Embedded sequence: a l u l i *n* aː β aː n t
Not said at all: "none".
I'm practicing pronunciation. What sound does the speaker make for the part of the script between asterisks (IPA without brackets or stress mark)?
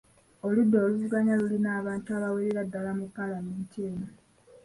n